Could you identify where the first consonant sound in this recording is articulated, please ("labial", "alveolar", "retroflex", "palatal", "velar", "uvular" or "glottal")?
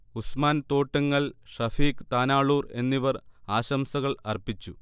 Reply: alveolar